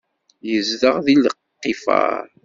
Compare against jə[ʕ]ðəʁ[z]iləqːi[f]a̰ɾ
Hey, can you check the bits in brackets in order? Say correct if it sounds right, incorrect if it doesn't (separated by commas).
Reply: incorrect, incorrect, correct